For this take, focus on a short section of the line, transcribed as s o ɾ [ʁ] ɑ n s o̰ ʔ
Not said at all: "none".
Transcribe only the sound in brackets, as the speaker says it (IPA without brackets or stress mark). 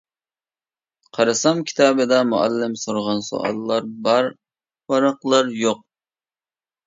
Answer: ʁ